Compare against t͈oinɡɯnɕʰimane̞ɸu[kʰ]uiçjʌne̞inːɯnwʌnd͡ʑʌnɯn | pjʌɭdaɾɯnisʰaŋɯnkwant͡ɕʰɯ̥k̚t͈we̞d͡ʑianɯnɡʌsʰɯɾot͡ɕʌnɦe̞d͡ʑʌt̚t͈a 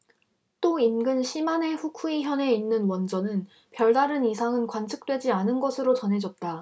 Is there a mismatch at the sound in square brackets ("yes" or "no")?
no